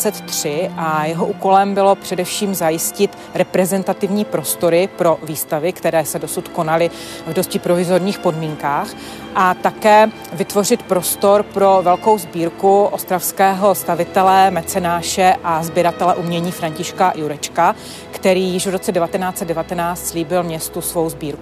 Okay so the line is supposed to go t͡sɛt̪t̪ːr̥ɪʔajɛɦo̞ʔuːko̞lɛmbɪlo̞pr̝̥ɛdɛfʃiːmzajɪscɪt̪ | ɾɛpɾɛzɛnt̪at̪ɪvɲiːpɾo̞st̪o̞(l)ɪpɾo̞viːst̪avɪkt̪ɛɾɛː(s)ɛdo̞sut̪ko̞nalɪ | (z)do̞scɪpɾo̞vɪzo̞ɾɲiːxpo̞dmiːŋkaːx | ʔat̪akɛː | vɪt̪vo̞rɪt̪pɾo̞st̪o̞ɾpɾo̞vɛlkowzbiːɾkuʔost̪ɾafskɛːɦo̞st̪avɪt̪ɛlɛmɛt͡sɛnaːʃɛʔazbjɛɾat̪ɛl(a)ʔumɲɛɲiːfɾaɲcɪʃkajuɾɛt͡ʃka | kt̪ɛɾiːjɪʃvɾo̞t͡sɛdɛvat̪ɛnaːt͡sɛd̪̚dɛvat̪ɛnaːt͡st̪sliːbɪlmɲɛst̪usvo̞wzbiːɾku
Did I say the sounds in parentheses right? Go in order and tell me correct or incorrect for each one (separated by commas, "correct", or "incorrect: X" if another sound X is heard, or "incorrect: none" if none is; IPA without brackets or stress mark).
incorrect: ɾ, correct, incorrect: v, incorrect: ɛ